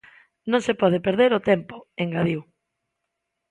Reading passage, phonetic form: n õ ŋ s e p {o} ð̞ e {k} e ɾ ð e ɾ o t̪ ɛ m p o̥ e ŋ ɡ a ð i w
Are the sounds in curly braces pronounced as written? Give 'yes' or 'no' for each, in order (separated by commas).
no, no